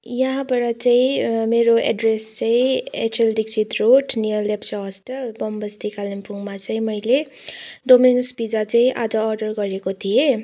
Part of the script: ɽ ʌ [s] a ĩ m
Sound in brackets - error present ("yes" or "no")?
yes